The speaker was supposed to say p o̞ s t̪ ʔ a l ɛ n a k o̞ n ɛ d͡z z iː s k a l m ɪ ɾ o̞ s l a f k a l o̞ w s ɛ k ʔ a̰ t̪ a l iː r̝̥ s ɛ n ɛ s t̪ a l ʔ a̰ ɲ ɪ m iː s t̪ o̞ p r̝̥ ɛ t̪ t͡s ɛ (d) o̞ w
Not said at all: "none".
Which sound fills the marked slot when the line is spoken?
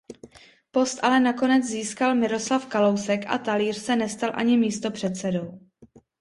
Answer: d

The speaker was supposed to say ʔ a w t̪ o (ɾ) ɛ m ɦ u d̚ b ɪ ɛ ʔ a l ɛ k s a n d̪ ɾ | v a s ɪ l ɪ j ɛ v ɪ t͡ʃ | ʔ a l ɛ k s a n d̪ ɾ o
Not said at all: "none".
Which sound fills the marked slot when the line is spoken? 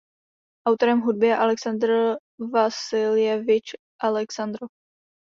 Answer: ɾ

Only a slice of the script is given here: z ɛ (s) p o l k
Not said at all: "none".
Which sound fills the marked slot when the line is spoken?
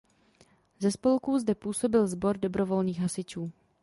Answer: s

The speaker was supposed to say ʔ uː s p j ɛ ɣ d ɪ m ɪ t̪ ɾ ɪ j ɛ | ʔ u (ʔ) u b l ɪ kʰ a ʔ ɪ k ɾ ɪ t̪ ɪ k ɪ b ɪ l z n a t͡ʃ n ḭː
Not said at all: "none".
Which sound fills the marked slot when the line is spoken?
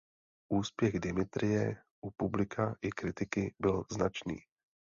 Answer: p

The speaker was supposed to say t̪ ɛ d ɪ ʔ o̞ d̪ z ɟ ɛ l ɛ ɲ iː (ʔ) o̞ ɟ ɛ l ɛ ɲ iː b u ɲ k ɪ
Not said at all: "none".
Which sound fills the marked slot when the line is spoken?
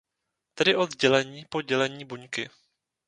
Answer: p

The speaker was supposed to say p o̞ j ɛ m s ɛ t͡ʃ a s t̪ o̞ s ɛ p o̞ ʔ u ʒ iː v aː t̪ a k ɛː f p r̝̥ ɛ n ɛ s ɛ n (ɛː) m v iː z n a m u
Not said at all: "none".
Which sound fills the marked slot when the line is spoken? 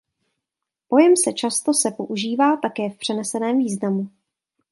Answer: ɛː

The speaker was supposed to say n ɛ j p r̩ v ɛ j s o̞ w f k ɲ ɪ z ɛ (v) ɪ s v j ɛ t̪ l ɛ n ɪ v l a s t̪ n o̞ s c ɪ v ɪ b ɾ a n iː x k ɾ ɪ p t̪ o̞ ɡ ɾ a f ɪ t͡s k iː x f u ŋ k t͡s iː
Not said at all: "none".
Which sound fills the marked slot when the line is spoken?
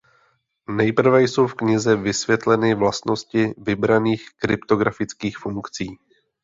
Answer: v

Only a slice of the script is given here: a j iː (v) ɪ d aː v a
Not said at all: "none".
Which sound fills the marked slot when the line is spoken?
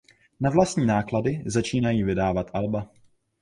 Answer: v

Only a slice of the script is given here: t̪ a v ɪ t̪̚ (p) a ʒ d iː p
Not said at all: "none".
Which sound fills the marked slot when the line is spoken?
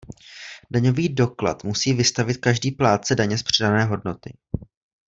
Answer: k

